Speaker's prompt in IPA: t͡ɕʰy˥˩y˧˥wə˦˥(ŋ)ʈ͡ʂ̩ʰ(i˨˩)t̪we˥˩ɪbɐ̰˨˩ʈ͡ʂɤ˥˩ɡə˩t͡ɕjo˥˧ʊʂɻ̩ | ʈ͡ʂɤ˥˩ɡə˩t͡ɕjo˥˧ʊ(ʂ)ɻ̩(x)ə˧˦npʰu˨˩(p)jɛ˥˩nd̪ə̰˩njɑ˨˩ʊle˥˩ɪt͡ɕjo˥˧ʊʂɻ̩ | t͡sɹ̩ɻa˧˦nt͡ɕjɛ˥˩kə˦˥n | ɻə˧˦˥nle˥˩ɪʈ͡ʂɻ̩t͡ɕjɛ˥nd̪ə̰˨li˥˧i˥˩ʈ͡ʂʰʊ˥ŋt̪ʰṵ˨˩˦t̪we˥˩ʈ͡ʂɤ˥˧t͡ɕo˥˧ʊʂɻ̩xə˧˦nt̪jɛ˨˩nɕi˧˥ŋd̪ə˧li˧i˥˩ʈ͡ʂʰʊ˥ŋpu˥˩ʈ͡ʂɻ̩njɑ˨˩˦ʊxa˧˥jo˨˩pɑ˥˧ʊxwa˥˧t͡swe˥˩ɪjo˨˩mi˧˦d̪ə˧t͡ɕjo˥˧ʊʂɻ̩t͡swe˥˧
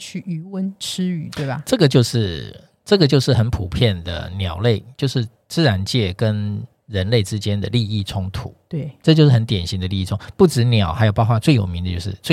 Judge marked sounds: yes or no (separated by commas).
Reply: no, no, yes, yes, no